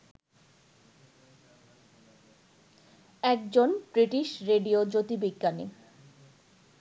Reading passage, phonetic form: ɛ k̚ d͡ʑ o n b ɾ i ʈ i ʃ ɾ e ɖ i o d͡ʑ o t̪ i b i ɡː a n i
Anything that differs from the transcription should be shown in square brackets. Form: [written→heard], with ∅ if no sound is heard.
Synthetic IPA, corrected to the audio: ɛ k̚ d͡ʑ o n b ɾ i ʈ i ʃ ɾ e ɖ i o d͡ʑ o t̪ i b i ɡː a n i